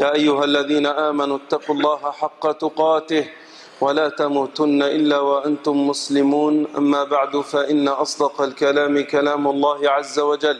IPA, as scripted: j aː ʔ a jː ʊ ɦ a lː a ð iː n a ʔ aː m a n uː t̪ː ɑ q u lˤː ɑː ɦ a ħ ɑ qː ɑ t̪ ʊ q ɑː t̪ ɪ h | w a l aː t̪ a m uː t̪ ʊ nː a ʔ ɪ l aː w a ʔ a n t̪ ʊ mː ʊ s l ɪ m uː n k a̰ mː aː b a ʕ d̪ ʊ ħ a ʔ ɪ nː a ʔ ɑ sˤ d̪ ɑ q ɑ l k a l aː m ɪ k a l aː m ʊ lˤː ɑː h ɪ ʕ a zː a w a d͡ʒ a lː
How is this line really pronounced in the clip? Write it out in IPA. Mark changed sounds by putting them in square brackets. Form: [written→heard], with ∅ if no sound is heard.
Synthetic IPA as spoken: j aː ʔ a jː ʊ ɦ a lː a ð iː n a ʔ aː m a n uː t̪ː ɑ q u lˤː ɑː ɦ a ħ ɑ qː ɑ t̪ ʊ q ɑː t̪ ɪ h | w a l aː t̪ a m uː t̪ ʊ nː a ʔ ɪ [l→lː] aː w a ʔ a n t̪ ʊ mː ʊ s l ɪ m uː n [k→ʔ] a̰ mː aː b a ʕ d̪ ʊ [ħ→f] a ʔ ɪ nː a ʔ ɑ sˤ d̪ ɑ q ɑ l k a l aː m ɪ k a l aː m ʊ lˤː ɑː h ɪ ʕ a zː a w a d͡ʒ a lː